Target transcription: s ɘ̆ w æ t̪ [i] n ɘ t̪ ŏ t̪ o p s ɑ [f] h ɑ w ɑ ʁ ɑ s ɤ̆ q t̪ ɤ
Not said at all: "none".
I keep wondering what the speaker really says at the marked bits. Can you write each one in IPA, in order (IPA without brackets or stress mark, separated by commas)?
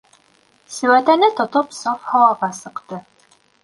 æ, f